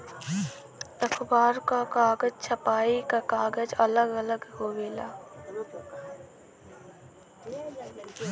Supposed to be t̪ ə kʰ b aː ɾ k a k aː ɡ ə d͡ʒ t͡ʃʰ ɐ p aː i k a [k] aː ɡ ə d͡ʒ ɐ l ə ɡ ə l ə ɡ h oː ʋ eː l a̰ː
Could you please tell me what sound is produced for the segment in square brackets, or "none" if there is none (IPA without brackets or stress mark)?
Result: k